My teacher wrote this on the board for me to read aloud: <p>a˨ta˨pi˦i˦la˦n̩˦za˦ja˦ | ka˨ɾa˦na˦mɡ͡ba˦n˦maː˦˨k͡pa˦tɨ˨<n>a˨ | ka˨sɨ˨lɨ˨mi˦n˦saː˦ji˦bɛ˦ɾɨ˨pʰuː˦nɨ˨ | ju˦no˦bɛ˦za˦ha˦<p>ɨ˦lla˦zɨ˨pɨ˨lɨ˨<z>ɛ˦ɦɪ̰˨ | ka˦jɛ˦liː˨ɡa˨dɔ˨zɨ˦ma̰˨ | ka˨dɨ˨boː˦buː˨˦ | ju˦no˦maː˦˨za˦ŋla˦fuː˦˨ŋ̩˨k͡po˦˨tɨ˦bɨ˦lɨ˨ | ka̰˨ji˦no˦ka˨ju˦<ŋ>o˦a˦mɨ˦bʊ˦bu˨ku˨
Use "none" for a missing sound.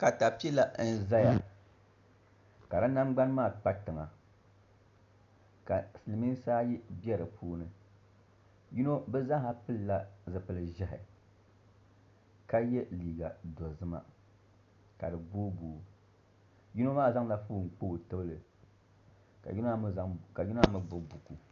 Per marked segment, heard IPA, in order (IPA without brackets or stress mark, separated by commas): k, ŋ, p, ʒ, n